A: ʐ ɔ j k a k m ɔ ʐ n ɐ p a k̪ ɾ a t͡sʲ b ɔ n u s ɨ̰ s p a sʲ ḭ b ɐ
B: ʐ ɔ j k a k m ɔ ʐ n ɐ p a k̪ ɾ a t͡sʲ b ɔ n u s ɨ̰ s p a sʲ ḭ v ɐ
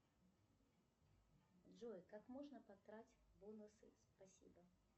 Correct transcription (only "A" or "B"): A